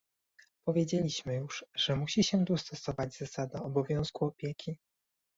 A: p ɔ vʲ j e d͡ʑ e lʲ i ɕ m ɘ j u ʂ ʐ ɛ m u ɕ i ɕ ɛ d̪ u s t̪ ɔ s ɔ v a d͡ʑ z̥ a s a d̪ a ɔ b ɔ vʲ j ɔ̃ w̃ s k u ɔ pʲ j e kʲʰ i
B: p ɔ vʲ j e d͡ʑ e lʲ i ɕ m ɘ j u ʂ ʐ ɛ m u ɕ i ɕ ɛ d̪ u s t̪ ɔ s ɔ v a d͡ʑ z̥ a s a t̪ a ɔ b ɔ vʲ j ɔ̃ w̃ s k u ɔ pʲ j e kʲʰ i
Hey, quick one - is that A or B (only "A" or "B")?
A